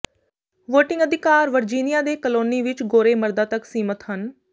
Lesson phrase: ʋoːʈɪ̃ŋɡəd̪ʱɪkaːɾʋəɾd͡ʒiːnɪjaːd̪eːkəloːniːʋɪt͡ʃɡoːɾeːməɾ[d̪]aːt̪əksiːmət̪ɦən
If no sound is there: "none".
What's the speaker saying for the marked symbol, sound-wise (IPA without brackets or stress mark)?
d̪